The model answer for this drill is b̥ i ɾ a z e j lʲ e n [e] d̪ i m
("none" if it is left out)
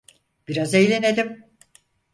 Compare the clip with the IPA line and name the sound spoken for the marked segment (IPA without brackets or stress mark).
e